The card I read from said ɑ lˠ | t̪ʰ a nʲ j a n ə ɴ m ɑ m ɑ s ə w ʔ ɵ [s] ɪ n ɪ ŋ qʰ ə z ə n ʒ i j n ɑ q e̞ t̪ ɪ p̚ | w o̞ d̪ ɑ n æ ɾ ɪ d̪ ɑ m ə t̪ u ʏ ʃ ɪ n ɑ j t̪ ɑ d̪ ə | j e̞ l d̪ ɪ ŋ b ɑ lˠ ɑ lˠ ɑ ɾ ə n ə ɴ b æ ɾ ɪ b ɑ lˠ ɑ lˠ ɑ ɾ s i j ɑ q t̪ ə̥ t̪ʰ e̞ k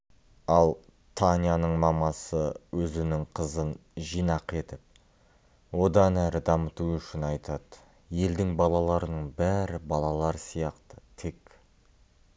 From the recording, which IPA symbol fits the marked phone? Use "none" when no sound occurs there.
z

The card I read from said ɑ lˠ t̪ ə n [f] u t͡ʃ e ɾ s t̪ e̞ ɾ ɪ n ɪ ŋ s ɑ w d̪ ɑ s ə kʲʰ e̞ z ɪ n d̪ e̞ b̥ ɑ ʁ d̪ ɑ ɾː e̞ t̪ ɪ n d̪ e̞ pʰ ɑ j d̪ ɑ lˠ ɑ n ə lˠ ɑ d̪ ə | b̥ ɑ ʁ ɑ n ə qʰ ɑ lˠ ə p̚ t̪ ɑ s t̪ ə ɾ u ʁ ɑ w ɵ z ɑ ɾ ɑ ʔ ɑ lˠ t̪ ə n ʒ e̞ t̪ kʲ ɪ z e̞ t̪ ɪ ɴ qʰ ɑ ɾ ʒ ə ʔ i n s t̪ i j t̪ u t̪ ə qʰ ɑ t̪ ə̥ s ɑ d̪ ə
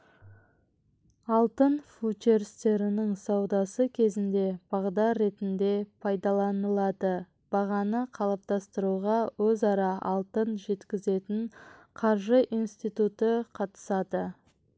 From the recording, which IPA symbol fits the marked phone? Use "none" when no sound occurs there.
f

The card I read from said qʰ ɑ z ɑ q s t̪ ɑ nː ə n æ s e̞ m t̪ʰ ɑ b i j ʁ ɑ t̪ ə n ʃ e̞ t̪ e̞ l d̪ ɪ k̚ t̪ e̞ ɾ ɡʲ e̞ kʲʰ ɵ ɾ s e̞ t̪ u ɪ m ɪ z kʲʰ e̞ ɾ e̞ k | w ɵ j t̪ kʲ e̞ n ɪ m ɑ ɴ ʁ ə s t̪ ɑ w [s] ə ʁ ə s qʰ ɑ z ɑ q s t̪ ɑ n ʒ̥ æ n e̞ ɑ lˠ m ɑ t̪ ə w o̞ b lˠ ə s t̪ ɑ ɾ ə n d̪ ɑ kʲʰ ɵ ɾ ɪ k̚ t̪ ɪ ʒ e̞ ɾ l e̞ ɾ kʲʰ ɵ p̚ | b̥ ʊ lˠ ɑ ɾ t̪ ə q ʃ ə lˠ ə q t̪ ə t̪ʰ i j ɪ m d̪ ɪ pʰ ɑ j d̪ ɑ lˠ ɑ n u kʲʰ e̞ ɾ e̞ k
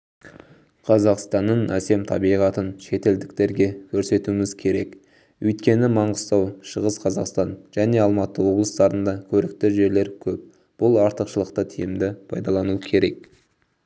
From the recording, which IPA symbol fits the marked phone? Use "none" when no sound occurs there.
ʃ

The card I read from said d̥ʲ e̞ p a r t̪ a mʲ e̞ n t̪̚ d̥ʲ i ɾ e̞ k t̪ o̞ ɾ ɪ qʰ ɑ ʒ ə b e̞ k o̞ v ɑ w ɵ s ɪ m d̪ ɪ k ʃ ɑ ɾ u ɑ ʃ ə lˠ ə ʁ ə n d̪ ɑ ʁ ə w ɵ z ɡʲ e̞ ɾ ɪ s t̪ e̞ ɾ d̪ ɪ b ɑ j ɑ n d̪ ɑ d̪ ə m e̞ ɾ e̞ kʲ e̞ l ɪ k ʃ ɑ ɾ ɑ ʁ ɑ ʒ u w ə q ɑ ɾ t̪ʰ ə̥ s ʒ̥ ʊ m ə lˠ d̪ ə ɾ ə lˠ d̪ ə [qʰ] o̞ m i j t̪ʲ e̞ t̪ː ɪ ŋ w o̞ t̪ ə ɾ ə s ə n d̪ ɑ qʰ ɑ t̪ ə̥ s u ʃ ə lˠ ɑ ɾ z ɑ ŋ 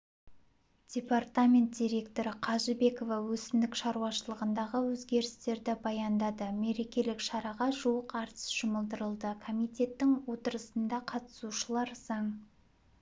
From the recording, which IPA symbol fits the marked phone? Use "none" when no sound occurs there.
kʰ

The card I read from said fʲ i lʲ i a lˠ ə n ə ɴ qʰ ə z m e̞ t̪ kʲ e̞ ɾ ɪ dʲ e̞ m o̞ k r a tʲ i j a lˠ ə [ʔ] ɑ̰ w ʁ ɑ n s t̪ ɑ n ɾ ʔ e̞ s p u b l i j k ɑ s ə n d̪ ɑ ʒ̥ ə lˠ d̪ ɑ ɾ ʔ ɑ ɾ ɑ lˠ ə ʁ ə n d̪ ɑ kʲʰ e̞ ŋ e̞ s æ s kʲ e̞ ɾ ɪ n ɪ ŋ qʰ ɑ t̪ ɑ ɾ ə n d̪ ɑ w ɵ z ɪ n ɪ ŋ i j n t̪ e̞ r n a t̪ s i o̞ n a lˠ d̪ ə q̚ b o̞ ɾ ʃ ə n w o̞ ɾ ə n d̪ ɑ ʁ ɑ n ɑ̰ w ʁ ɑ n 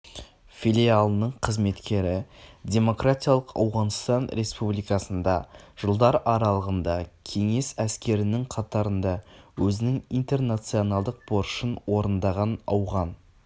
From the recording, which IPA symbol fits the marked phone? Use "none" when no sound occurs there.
q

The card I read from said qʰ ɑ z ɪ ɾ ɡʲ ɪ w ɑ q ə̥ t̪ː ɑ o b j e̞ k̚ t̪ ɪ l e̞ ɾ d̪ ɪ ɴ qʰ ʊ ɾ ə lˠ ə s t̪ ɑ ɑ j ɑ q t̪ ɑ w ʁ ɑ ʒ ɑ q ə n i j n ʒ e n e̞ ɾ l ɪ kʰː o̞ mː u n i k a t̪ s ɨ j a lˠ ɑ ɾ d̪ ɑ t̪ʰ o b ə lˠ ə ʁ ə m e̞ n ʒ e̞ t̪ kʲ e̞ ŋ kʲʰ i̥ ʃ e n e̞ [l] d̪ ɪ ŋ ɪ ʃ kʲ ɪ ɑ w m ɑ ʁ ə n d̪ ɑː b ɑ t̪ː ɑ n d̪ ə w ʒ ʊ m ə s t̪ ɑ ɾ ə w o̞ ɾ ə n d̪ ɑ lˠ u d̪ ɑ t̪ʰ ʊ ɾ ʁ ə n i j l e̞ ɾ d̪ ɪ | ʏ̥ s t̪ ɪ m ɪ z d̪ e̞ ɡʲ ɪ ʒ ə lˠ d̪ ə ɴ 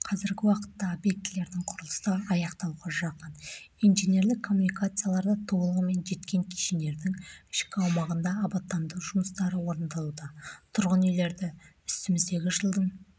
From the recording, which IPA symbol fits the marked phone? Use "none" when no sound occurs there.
ɾ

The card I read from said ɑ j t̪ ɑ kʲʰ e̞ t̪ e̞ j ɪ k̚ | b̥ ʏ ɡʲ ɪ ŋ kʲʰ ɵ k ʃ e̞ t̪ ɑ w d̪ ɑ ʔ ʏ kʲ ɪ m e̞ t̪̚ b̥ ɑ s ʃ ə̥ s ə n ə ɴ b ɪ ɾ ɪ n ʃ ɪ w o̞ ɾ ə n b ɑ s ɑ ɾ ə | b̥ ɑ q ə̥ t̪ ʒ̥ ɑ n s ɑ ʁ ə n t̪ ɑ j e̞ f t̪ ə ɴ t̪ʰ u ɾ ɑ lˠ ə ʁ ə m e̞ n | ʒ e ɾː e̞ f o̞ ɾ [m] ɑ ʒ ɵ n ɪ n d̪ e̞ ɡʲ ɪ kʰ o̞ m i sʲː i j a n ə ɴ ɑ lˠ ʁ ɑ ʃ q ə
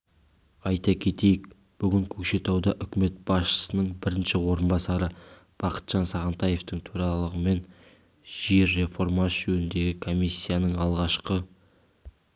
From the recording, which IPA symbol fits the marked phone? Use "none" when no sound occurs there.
m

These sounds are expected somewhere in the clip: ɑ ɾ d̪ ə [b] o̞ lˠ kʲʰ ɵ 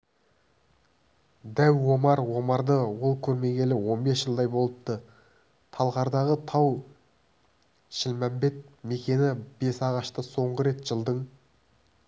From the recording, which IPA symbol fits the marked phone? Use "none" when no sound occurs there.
w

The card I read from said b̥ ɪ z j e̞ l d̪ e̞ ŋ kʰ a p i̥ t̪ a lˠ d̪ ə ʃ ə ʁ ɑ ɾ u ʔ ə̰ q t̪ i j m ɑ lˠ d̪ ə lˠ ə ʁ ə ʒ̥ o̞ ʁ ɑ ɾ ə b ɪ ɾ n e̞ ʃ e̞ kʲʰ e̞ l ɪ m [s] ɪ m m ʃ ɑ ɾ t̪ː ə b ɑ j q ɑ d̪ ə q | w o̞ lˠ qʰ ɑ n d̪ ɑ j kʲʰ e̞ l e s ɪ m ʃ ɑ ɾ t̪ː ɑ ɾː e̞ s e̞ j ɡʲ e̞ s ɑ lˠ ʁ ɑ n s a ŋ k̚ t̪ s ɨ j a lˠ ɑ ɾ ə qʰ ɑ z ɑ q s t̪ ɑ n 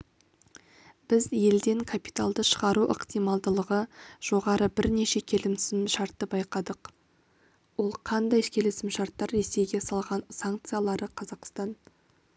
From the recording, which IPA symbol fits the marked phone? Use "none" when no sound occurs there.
s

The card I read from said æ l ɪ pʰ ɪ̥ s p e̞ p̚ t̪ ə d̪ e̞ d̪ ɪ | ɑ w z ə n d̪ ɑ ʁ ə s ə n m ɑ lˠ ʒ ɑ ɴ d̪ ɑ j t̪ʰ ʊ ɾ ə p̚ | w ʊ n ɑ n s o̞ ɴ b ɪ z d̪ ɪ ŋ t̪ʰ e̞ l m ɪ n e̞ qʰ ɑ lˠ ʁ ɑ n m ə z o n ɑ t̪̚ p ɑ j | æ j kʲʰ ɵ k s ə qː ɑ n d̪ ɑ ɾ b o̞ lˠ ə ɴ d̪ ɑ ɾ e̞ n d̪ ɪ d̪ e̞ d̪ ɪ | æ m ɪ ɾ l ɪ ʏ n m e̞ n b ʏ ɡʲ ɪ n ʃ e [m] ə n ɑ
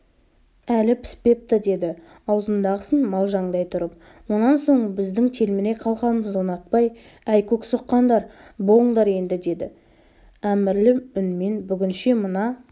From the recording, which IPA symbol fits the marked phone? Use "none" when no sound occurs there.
m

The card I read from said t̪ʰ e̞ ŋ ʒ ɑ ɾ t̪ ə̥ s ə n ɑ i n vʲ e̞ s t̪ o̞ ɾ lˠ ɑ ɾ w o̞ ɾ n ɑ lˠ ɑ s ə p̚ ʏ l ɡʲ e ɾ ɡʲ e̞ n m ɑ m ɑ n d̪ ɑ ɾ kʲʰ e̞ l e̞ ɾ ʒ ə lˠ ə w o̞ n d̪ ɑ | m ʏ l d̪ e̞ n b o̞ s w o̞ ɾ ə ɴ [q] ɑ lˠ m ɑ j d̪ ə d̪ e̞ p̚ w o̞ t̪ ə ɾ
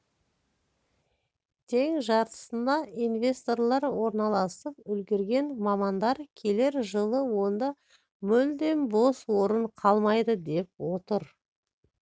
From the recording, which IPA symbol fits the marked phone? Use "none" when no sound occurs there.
qʰ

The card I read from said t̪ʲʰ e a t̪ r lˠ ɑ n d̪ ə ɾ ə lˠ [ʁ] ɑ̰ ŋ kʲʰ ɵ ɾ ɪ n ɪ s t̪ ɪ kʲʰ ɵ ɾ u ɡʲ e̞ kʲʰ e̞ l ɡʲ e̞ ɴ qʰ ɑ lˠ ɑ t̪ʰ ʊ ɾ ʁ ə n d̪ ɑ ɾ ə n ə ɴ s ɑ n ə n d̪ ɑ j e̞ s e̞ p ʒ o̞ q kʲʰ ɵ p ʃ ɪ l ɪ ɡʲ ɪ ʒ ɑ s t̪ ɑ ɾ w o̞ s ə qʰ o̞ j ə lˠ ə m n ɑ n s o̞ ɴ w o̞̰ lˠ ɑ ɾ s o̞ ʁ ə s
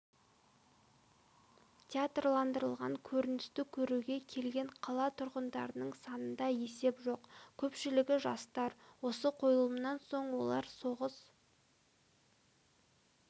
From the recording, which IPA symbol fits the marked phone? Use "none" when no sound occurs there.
ʁ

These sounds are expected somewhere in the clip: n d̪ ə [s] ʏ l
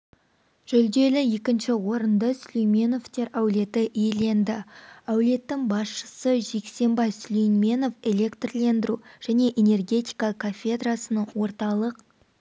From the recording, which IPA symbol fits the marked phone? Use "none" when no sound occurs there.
s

